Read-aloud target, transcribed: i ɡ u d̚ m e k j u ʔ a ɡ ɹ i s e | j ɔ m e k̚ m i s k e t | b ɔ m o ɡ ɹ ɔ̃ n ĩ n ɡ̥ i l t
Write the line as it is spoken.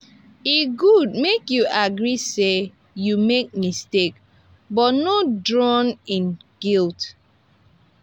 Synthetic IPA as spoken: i ɡ u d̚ m e k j u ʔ a ɡ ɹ i s e | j u m e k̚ m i s t e k | b ɔ n o d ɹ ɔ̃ n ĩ n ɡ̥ i l t